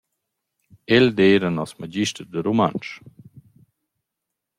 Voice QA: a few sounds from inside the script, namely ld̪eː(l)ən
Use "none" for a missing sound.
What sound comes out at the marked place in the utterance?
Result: ɾ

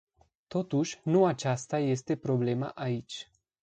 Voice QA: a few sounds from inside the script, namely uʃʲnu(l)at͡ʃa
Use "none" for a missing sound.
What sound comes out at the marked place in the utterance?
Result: none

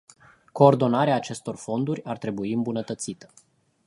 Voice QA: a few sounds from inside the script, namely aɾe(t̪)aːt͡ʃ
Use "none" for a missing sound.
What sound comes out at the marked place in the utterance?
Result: none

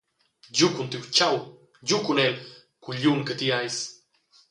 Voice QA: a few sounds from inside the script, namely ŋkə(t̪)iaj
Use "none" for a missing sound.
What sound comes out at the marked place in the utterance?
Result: t̪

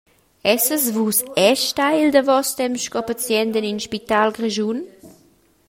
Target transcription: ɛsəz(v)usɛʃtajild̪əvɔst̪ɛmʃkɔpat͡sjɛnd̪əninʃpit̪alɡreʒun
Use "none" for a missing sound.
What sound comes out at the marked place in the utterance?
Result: v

